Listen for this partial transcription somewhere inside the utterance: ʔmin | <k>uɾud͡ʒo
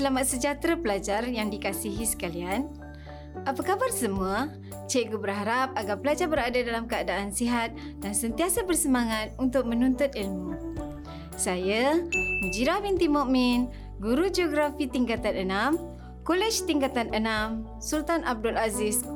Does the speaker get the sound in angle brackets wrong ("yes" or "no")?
yes